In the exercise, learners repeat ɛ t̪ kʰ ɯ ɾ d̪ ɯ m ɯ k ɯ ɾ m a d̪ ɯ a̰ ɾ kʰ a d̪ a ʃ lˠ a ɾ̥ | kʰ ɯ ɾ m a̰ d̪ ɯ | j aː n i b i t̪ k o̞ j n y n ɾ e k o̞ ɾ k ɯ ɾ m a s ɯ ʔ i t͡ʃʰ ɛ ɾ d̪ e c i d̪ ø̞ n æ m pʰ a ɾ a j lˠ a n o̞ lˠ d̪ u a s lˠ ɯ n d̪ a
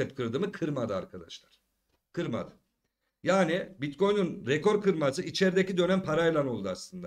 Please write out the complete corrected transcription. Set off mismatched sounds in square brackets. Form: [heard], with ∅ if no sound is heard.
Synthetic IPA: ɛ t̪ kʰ ɯ ɾ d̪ ɯ m ɯ [kʰ] ɯ ɾ m a d̪ ɯ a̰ ɾ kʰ a d̪ a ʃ lˠ a ɾ̥ | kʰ ɯ ɾ m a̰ d̪ ɯ | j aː n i b i t̪ k o̞ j n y n ɾ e k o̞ ɾ k ɯ ɾ m a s ɯ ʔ i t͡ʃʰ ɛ ɾ d̪ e c i d̪ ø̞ n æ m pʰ a ɾ a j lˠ a n o̞ lˠ d̪ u a s lˠ ɯ n d̪ a